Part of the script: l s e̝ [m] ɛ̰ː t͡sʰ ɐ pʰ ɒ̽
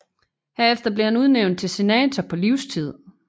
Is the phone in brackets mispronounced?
yes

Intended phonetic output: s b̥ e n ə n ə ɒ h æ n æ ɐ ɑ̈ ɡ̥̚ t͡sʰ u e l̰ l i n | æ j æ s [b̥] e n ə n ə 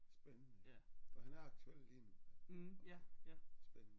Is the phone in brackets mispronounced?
no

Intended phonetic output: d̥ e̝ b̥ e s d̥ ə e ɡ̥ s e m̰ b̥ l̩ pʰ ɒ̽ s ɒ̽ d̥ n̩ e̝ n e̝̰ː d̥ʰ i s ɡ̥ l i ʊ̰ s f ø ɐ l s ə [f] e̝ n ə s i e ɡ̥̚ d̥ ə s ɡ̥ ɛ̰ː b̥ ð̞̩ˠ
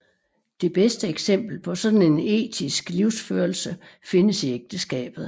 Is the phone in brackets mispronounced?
no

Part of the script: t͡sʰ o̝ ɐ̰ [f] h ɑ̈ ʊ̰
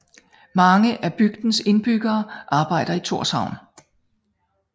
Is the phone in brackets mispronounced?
yes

